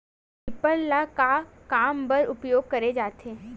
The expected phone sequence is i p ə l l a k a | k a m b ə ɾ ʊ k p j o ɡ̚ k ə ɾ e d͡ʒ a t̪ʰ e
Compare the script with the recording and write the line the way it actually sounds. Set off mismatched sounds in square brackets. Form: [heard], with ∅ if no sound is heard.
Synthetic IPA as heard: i p ə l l a k a | k a m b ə ɾ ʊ [∅] p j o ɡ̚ k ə ɾ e d͡ʒ a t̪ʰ e